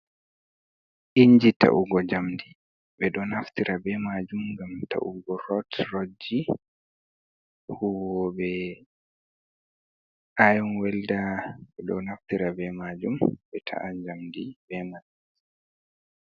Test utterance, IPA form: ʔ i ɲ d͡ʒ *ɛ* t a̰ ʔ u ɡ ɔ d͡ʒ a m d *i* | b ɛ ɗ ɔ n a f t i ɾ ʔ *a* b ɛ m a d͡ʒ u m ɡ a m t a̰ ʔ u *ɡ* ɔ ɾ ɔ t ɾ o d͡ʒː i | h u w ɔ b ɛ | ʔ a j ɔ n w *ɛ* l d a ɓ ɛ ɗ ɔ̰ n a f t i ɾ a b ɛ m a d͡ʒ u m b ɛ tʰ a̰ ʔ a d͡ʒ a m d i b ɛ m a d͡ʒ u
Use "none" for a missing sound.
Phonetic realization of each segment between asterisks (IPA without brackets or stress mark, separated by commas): i, i, a, ɡ, ɛ